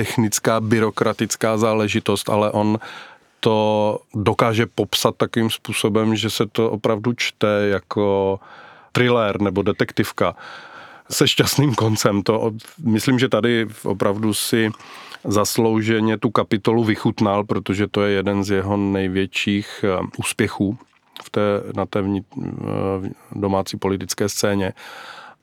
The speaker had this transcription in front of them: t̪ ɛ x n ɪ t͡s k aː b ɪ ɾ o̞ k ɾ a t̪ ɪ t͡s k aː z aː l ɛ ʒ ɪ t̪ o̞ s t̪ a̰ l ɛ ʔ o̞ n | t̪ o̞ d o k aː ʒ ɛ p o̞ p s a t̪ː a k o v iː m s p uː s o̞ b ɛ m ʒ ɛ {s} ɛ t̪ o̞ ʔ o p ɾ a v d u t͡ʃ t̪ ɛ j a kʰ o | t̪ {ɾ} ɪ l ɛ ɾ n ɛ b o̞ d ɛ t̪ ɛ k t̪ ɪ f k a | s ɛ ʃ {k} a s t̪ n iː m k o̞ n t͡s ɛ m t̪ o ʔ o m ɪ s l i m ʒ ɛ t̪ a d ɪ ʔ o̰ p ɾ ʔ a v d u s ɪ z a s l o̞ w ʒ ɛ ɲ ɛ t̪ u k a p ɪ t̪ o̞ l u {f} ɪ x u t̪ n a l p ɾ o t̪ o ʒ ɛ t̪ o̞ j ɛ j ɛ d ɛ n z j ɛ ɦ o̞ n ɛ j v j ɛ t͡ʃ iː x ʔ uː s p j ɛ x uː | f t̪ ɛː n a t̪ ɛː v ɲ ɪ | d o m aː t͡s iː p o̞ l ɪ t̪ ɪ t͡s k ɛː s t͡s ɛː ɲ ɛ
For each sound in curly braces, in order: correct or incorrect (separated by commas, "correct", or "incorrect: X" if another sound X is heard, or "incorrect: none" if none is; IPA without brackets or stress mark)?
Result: correct, correct, incorrect: c, incorrect: v